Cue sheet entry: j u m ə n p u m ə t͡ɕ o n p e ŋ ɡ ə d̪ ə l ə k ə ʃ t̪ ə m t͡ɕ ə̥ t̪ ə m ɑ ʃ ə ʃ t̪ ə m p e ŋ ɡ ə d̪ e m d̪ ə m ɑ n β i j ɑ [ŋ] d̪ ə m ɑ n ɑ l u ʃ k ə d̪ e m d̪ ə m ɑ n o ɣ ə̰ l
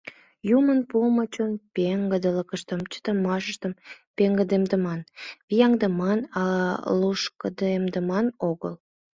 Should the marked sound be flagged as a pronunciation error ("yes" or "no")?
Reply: no